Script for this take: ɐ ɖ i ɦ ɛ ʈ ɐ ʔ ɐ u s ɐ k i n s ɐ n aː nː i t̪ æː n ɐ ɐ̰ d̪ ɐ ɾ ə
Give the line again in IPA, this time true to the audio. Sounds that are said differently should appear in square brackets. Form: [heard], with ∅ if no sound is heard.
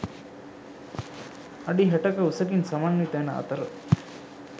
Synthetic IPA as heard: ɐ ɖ i ɦ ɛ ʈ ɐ [k] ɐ u s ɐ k i n s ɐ [m] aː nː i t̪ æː n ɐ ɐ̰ [t̪] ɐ ɾ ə